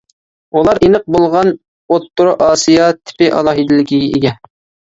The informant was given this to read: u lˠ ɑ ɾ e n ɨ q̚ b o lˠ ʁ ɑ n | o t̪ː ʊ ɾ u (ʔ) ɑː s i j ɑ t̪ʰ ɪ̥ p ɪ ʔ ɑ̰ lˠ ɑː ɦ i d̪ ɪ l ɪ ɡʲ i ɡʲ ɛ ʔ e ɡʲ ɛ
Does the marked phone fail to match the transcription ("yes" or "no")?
no